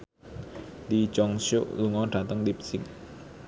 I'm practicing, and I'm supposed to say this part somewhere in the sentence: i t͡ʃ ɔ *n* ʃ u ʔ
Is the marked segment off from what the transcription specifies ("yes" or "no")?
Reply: yes